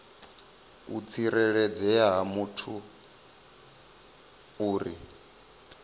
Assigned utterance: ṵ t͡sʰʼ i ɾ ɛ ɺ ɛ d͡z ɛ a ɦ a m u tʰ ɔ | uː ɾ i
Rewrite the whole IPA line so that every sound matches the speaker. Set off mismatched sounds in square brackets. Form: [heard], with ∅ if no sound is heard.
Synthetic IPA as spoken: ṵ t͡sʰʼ i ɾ ɛ ɺ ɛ d͡z ɛ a ɦ a m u tʰ [u] | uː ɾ i